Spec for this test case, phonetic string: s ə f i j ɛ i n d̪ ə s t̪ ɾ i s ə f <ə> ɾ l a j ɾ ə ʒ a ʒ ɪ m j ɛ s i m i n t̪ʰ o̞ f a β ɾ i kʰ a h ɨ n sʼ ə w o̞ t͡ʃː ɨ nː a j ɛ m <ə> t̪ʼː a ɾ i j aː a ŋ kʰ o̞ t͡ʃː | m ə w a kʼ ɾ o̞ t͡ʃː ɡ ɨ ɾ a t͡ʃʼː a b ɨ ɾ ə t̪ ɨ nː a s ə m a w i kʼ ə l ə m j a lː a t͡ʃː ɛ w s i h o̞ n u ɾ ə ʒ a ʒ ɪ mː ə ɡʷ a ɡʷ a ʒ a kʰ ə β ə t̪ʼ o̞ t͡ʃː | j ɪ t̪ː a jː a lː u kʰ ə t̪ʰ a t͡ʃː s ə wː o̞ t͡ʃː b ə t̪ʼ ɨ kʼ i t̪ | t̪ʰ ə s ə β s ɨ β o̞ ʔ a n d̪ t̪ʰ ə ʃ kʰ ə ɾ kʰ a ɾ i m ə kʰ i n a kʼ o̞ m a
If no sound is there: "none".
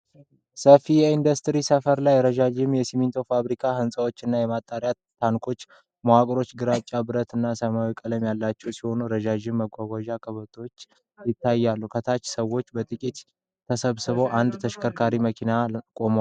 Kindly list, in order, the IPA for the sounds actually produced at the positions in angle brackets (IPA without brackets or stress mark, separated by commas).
ə, a